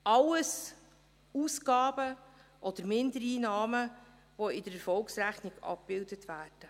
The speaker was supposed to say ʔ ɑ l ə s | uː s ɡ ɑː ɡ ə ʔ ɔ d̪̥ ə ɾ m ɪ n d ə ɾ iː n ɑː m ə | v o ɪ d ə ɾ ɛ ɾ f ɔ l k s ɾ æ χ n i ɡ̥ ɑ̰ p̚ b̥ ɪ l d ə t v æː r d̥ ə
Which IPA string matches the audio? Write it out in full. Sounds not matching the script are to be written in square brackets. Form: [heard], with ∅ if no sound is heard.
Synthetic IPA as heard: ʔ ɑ l ə s | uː s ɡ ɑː [b] ə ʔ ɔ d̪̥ ə ɾ m ɪ n d ə ɾ iː n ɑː m ə | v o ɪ d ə ɾ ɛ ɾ f ɔ l k s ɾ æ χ n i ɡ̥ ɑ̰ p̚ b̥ ɪ l d ə t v æː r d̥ ə